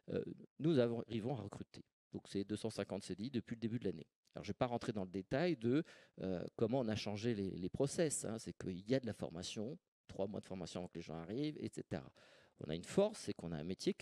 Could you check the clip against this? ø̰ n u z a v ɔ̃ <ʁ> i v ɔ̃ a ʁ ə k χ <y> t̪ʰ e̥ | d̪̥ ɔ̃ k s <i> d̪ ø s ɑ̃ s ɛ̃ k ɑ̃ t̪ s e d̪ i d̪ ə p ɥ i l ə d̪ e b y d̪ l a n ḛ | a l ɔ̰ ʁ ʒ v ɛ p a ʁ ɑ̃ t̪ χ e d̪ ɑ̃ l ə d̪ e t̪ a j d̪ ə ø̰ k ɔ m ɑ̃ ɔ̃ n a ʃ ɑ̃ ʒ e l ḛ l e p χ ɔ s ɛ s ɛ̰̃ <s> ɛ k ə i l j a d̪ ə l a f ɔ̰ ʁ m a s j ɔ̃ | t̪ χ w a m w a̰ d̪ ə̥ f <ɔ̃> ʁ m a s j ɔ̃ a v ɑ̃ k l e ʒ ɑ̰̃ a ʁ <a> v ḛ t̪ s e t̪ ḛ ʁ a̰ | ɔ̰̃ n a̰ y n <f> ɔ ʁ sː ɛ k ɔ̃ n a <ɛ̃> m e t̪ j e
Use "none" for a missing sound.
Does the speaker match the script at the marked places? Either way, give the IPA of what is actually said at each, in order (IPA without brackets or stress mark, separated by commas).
ʁ, y, ɛ, s, ɔ, i, f, ɛ̃